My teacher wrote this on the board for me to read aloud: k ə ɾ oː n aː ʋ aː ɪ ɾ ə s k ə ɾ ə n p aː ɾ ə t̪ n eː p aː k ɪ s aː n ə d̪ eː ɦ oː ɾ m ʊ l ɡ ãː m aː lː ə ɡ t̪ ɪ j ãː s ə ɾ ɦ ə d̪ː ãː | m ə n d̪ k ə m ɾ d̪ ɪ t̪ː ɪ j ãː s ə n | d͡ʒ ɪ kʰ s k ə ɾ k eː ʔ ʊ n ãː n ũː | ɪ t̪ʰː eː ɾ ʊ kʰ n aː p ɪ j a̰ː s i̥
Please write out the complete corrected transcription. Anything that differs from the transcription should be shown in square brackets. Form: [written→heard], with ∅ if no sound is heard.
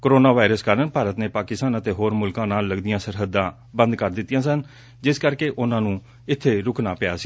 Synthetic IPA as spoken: k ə ɾ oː n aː ʋ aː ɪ ɾ ə s k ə ɾ ə n p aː ɾ ə t̪ n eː p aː k ɪ s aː n ə [d̪→t̪] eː ɦ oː ɾ m ʊ l [ɡ→k] ãː [m→n] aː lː ə ɡ [t̪→d̪] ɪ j ãː s ə ɾ ɦ ə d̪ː ãː | [m→b] ə n d̪ k ə [m→∅] ɾ d̪ ɪ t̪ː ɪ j ãː s ə n | d͡ʒ ɪ [kʰ→∅] s k ə ɾ k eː ʔ ʊ n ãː n ũː | ɪ t̪ʰː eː ɾ ʊ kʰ n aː p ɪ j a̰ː s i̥